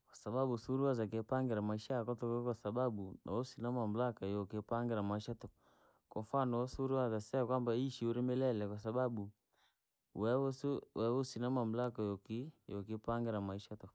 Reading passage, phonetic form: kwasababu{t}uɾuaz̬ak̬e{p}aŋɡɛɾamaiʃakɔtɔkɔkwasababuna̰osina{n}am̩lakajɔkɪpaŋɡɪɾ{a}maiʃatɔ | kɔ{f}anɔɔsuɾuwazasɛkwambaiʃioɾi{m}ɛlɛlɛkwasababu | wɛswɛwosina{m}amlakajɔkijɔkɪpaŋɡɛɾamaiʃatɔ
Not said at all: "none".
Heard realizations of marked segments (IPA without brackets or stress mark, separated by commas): s, p, m, a, f, m, m